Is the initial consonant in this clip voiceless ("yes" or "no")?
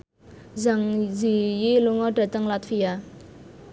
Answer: no